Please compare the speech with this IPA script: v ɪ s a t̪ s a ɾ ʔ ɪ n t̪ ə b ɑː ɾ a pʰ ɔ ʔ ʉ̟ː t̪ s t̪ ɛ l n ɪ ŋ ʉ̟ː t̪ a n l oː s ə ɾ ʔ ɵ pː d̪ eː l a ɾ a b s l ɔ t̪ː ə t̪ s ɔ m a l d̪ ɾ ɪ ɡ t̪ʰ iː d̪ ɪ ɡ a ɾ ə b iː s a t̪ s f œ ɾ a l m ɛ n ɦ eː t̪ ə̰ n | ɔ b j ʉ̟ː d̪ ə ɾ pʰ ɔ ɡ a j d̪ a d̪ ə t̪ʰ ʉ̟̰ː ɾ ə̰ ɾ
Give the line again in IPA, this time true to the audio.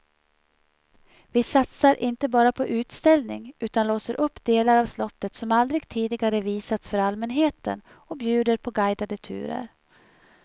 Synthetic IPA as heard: v ɪ s a t̪ s a ɾ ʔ ɪ n t̪ ə b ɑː ɾ a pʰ ɔ ʔ ʉ̟ː t̪ s t̪ ɛ l n ɪ ŋ ʉ̟ː t̪ a n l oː s ə ɾ ʔ ɵ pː d̪ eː l a ɾ a v s l ɔ t̪ː ə t̪ s ɔ m a l d̪ ɾ ɪ ɡ t̪ʰ iː d̪ ɪ ɡ a ɾ ə v iː s a t̪ s f œ ɾ a l m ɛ n ɦ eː t̪ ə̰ n | ɔ b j ʉ̟ː d̪ ə ɾ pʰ ɔ ɡ a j d̪ a d̪ ə t̪ʰ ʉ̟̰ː ɾ ə̰ ɾ